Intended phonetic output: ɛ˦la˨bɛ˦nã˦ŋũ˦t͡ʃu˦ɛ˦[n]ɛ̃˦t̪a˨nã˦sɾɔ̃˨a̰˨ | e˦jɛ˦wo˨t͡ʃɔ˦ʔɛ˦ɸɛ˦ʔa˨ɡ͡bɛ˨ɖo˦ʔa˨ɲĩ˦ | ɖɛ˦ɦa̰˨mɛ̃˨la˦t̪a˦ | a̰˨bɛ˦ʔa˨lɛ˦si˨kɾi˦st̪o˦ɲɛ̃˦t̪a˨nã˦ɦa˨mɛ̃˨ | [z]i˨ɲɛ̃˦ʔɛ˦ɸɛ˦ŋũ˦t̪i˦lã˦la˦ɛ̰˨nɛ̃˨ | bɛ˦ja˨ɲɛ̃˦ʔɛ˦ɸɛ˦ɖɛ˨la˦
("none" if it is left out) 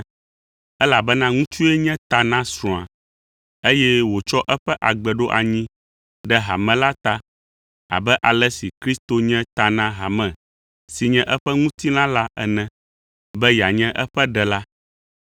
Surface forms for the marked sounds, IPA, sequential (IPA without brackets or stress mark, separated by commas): ɲ, s